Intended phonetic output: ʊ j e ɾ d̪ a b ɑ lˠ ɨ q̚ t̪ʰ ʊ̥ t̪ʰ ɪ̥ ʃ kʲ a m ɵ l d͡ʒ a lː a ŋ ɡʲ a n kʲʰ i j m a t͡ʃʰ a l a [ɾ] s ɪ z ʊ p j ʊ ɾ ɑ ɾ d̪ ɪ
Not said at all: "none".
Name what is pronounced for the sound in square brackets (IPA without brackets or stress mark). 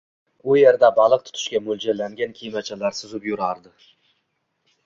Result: ɾ